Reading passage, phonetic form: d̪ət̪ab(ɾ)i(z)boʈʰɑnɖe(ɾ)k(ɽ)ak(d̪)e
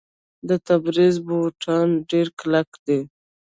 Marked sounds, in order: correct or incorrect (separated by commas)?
correct, correct, correct, incorrect, correct